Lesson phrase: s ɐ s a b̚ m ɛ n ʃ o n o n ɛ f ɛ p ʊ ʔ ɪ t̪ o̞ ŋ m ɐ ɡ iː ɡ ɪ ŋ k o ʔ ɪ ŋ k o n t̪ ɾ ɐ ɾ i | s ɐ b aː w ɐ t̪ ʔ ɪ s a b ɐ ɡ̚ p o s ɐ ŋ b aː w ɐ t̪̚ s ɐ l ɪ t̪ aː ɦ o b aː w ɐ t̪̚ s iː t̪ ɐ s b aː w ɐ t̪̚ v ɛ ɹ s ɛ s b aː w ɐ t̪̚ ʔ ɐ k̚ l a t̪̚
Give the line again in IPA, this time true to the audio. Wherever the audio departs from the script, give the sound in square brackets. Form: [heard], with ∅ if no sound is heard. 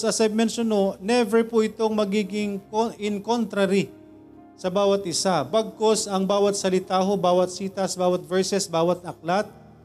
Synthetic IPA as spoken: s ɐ s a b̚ m ɛ n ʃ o n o n ɛ [v] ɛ p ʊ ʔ ɪ t̪ o̞ ŋ m ɐ ɡ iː ɡ ɪ ŋ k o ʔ ɪ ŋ k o n t̪ ɾ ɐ ɾ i | s ɐ b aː w ɐ t̪ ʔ ɪ s a b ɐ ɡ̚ [k] o s ɐ ŋ b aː w ɐ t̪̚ s ɐ l ɪ t̪ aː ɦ o b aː w ɐ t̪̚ s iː t̪ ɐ s b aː w ɐ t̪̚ v ɛ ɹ s ɛ s b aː w ɐ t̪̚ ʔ ɐ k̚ l a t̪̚